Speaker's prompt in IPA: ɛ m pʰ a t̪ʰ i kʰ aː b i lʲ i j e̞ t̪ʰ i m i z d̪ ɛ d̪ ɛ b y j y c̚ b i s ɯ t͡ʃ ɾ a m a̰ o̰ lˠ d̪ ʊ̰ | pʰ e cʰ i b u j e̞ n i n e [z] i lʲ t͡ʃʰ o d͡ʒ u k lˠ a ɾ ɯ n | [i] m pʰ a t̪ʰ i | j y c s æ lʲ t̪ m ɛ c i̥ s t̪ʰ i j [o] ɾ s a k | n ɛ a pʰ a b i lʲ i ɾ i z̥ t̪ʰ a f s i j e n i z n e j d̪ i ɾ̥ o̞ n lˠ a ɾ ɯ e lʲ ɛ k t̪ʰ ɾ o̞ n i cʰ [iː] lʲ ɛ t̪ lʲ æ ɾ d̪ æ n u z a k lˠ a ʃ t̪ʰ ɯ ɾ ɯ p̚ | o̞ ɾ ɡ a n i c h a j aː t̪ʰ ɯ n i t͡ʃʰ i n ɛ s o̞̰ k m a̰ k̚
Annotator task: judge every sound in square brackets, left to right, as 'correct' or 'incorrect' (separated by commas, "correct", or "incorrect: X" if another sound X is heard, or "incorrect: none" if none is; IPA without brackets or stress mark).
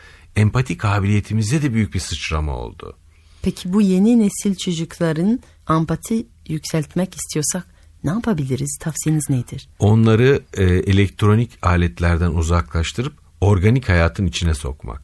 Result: incorrect: s, incorrect: a, correct, incorrect: aː